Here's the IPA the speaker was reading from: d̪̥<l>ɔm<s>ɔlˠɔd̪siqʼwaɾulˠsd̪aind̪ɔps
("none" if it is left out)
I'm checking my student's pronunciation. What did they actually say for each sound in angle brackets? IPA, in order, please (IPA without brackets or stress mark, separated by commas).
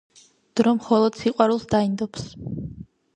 ɾ, χ